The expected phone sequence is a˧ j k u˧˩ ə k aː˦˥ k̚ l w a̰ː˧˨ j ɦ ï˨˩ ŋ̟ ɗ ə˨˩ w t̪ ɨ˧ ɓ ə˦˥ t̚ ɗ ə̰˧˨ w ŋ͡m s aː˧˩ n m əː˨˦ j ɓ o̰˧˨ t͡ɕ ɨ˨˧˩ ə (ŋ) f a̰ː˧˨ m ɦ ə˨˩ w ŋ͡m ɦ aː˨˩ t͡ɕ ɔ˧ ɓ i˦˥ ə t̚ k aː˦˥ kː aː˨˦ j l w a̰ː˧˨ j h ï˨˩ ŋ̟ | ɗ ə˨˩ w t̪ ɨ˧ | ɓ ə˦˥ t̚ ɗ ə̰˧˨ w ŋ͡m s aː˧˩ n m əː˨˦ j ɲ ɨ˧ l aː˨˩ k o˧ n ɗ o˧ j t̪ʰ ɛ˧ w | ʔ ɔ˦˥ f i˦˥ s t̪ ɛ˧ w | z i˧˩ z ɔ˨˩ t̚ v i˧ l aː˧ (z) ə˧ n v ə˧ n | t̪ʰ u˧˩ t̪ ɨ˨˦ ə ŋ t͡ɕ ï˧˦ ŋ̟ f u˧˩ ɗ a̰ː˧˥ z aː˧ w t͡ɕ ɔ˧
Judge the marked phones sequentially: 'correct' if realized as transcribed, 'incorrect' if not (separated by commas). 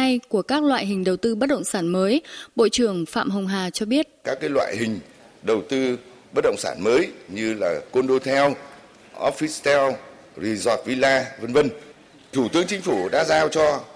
correct, incorrect